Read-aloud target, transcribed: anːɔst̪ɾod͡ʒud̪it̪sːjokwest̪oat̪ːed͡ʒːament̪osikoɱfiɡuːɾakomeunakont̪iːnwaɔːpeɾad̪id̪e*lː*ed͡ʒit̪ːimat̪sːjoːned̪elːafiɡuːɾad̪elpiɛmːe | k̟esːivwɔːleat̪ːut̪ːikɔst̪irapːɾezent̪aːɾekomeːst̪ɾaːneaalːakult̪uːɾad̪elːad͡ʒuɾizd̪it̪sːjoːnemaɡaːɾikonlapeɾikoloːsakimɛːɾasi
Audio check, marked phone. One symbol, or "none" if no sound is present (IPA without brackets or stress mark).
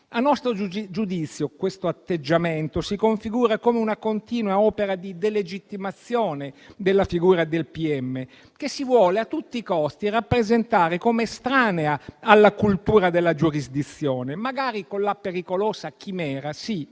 l